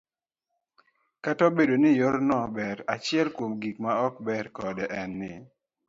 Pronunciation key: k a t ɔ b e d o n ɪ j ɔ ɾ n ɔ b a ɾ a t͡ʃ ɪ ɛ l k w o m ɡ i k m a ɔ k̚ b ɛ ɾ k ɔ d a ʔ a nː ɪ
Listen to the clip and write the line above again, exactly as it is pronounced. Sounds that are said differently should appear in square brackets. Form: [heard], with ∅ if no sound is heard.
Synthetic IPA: k a t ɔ b e d o n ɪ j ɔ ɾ n ɔ b [ɛ] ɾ a t͡ʃ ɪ ɛ l k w o m ɡ i k m a ɔ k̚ b ɛ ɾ k ɔ d [ɛ] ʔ [ɛ] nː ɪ